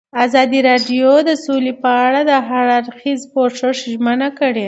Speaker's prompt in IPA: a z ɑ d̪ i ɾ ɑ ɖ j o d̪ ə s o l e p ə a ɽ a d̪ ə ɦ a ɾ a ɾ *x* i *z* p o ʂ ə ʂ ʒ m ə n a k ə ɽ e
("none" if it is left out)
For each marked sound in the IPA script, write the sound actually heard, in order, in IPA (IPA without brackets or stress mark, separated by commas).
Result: x, z